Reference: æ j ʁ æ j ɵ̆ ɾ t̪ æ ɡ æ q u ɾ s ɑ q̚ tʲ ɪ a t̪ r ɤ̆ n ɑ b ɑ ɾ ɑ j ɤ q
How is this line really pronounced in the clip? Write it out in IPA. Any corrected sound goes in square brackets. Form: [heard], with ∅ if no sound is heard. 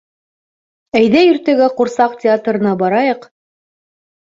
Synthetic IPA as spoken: æ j [ð] æ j ɵ̆ ɾ t̪ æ ɡ æ q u ɾ s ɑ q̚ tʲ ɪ a t̪ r ɤ̆ n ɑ b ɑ ɾ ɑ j ɤ q